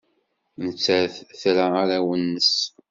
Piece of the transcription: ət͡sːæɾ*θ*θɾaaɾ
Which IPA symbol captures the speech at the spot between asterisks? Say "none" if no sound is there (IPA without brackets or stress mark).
θ